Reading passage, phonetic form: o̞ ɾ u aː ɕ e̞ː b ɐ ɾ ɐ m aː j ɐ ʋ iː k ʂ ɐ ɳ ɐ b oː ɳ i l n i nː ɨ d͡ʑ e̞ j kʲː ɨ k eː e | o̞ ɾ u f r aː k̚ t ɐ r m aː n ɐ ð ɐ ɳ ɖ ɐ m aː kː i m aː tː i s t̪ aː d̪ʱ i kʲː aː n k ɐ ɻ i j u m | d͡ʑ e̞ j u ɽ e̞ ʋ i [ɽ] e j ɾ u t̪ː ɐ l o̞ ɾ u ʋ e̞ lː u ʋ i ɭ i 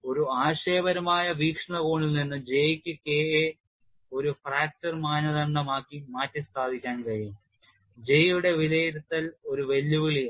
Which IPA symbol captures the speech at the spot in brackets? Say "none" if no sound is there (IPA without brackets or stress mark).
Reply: l